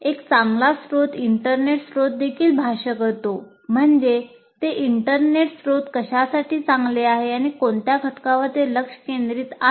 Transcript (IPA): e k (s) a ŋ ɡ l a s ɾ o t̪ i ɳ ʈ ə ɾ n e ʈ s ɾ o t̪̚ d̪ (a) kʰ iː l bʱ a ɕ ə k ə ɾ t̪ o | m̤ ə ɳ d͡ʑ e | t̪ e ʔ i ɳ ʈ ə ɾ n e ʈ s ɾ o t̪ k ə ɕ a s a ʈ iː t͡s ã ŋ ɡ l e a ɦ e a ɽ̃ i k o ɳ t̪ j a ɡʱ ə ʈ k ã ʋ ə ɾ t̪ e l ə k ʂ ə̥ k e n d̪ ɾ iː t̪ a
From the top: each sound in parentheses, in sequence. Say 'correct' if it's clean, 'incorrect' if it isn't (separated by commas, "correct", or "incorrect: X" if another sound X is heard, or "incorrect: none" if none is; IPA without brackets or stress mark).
incorrect: t͡s, incorrect: e